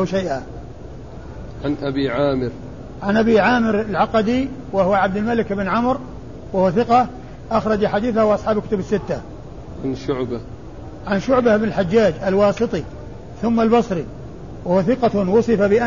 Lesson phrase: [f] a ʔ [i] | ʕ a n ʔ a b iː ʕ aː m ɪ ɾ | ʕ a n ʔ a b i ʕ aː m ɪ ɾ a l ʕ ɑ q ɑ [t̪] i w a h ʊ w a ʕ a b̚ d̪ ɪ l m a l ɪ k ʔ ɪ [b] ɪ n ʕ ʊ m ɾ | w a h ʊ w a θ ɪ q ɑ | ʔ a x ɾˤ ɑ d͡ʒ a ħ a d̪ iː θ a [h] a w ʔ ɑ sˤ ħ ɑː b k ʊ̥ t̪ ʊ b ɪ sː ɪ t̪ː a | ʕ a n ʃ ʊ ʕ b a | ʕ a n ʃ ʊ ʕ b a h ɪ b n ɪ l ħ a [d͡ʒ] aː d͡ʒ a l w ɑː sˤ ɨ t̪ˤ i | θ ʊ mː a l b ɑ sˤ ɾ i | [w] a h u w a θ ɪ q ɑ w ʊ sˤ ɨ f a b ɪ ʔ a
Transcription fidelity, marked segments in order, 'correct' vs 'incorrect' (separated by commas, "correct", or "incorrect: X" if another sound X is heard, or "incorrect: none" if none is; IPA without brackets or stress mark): incorrect: ʃ, incorrect: a, incorrect: d̪, correct, correct, incorrect: d͡ʒː, correct